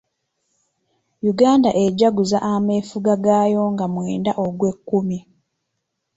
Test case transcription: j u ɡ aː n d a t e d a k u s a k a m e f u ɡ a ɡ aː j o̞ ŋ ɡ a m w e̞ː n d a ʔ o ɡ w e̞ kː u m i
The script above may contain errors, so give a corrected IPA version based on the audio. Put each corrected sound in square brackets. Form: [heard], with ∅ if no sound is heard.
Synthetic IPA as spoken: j u ɡ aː n d a [ʔ] e [ɟ] a [ɡ] u [z] a [ʔ] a m e f u ɡ a ɡ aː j o̞ ŋ ɡ a m w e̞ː n d a ʔ o ɡ w e̞ kː u m i